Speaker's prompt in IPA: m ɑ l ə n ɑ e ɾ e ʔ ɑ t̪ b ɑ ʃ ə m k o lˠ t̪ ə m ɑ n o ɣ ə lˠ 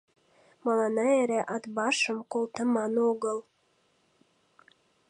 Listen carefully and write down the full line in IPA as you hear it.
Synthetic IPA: m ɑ l ɑ n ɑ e ɾ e ʔ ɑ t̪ b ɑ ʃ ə m k o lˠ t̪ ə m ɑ n o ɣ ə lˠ

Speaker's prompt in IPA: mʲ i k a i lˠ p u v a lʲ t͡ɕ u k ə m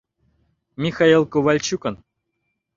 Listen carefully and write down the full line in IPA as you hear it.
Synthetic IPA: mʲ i x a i lˠ k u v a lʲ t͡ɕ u k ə n

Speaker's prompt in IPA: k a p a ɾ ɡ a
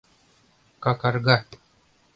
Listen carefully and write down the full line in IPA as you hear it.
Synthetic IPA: k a k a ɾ ɡ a

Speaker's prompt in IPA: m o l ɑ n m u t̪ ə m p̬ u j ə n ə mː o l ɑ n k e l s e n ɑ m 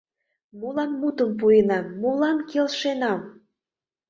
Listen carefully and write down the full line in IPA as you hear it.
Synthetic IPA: m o l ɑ n m u t̪ ə m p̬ u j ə n ɑ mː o l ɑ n k e l ʃ e n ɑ m

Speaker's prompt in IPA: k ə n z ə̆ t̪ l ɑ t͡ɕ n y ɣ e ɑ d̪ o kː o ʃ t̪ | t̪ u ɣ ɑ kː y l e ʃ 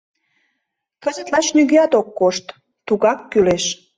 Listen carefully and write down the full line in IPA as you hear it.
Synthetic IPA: k ə z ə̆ t̪ l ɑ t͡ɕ n y ɣ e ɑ t̪ o kː o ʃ t̪ | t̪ u ɣ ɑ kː y l e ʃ

